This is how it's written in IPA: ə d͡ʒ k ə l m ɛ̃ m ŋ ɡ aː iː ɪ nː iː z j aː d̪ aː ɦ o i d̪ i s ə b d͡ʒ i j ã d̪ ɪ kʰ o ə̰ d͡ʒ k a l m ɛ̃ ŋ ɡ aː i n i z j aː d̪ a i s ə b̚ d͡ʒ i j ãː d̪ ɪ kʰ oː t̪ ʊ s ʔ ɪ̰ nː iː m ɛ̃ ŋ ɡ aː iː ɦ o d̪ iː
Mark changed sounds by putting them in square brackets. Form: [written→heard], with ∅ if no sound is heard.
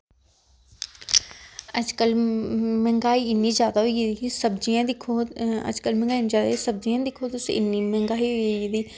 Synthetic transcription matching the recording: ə d͡ʒ k ə l m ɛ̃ [m→∅] ŋ ɡ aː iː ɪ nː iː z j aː d̪ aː ɦ o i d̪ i s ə b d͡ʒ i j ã d̪ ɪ kʰ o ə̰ d͡ʒ k [a→ə] l m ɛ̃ ŋ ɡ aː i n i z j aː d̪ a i s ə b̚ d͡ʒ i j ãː d̪ ɪ kʰ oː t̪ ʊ s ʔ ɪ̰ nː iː m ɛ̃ ŋ ɡ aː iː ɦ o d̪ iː